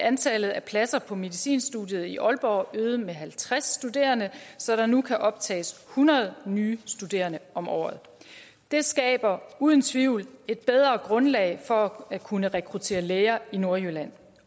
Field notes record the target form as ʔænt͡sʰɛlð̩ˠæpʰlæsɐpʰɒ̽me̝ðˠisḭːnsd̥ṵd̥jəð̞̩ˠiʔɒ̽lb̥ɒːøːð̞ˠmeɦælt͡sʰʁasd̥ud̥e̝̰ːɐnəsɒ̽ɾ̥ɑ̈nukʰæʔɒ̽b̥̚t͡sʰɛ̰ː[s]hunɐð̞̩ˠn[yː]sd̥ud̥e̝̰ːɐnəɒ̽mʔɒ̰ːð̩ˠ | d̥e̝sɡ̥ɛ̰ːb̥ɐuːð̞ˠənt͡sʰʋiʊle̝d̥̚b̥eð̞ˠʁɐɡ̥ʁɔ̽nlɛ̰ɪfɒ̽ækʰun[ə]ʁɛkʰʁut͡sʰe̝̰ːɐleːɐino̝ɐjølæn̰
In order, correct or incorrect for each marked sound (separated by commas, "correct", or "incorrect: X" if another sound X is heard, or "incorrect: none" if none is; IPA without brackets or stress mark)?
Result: correct, correct, correct